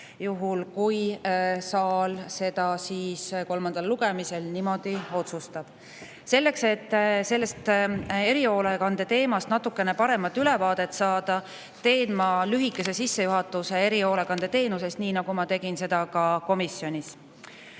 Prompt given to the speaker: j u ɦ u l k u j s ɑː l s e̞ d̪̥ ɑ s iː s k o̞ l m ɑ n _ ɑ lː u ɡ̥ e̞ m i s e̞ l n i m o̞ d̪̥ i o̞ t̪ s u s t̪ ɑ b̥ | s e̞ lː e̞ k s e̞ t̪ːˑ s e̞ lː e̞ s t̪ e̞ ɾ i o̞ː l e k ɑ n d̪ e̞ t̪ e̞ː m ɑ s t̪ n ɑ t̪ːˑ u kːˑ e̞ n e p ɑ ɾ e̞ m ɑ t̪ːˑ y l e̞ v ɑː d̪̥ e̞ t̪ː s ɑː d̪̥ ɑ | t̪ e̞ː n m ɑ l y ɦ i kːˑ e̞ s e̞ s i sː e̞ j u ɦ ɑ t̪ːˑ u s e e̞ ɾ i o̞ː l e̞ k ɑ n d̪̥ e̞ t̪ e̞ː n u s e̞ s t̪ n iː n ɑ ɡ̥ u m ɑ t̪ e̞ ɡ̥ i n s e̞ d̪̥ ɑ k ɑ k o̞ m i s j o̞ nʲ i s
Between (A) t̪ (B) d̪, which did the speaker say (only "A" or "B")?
B